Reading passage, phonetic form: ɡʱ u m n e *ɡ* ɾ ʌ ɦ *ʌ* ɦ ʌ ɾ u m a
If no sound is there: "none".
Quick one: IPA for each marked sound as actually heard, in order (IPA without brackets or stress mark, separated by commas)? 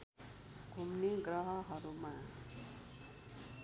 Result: ɡ, ʌ